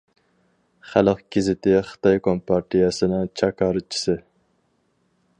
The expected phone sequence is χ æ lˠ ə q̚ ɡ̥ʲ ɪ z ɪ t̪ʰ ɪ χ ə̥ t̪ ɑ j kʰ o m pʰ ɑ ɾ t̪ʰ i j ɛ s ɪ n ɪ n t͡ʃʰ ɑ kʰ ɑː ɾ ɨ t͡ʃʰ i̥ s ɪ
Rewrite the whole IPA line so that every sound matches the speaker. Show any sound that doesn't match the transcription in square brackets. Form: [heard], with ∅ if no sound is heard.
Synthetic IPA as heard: χ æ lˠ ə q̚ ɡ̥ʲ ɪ z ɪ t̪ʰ ɪ χ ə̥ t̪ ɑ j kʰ o m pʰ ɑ ɾ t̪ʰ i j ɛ s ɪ n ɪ [ŋ] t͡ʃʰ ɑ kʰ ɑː ɾ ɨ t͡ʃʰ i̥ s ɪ